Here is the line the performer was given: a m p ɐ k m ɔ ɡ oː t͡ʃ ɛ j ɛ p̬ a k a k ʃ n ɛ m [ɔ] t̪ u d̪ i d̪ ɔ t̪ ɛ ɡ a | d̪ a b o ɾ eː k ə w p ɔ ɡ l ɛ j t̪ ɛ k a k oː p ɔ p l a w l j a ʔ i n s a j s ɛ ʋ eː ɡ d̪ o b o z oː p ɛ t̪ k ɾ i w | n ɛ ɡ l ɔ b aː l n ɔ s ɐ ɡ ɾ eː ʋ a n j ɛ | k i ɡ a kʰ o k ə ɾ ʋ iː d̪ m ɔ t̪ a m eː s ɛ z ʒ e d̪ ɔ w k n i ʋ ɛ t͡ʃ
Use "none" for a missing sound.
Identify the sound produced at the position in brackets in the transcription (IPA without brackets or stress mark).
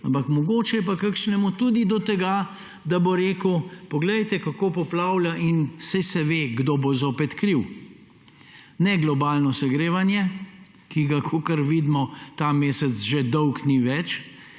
u